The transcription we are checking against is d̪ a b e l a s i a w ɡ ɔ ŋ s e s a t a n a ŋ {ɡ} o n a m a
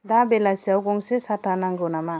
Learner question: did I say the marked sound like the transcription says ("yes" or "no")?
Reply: yes